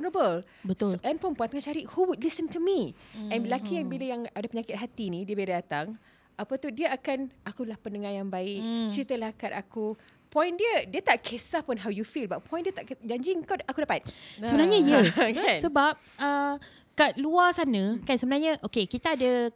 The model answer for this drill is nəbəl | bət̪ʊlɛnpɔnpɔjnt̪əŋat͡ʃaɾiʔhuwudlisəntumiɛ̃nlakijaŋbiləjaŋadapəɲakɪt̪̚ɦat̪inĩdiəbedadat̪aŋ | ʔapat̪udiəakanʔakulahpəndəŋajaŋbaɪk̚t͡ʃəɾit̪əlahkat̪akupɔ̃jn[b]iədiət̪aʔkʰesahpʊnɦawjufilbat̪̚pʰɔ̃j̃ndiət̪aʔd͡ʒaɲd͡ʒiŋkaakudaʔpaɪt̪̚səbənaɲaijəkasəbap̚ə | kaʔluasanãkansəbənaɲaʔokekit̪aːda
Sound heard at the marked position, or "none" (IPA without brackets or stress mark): d